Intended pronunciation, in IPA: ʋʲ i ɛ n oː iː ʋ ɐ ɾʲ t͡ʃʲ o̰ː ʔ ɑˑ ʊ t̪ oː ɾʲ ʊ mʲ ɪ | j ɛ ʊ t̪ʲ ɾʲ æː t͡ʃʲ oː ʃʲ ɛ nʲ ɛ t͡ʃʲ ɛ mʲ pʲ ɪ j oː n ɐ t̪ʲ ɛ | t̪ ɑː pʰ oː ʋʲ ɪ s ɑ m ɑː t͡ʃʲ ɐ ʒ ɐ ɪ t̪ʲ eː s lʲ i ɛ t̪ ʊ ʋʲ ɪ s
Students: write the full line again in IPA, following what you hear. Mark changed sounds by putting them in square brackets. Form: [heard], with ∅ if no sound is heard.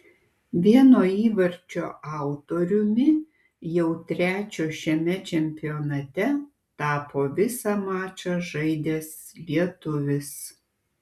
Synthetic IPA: ʋʲ i ɛ n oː iː ʋ ɐ ɾʲ t͡ʃʲ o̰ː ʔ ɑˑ ʊ t̪ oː ɾʲ ʊ mʲ ɪ | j ɛ ʊ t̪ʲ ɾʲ æː t͡ʃʲ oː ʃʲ ɛ [mʲ] ɛ t͡ʃʲ ɛ mʲ pʲ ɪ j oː n ɐ t̪ʲ ɛ | t̪ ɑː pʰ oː ʋʲ ɪ s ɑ m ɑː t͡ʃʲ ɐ ʒ ɐ ɪ [d̪ʲ] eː s lʲ i ɛ t̪ ʊ ʋʲ ɪ s